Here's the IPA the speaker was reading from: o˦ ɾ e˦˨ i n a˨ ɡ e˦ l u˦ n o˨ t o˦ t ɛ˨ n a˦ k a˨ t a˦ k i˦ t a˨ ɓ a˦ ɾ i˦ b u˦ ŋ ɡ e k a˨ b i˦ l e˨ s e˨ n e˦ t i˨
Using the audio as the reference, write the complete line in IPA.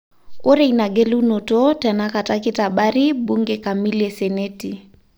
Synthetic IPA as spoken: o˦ ɾ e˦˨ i n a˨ ɡ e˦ l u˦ n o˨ t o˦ t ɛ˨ n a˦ k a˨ t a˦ k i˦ t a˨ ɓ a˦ ɾ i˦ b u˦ ŋ ɡ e k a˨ m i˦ l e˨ s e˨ n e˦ t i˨